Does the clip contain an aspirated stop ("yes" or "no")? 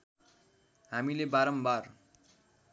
no